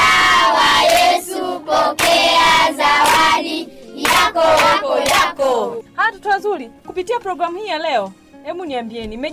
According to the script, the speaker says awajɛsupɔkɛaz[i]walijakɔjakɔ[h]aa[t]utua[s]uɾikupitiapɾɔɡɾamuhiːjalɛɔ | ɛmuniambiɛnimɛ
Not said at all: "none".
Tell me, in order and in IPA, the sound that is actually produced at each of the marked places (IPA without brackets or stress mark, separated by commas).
a, h, t, z